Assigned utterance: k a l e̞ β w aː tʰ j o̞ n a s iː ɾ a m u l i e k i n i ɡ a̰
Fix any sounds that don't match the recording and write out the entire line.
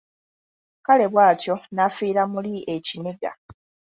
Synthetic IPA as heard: k a l e̞ β w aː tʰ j o̞ n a f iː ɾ a m u l i e c i n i ɡ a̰